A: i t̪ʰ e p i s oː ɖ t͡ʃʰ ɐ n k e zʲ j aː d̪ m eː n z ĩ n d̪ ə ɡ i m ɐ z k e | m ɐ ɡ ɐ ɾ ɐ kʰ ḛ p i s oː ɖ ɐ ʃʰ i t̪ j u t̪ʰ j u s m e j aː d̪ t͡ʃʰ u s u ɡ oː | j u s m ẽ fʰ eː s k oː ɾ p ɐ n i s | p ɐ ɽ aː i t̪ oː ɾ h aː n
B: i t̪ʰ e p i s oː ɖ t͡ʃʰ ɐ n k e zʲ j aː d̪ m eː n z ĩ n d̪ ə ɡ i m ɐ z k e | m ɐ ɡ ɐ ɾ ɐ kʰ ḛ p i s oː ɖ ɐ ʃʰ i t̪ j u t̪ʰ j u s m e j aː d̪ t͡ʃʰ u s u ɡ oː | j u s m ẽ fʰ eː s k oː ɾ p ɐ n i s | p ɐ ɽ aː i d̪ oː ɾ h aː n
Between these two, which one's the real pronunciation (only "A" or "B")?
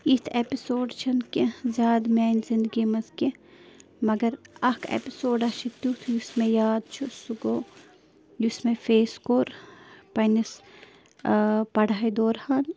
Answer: B